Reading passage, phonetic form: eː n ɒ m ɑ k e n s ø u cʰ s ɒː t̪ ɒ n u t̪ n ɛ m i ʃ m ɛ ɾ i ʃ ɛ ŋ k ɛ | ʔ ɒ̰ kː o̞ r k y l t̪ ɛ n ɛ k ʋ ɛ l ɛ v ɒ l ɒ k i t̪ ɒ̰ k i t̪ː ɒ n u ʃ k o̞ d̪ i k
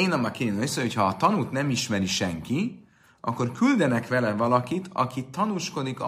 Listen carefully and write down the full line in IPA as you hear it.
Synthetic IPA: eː n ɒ m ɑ k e n s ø o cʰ h ɒː t̪ ɒ n u t̪ n ɛ m i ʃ m ɛ ɾ i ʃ ɛ ŋ k i | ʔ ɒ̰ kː o̞ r k y l d̪ ɛ n ɛ k ʋ ɛ l ɛ v ɒ l ɒ k i t̪ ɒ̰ k i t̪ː ɒ n u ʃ k o̞ d̪ i k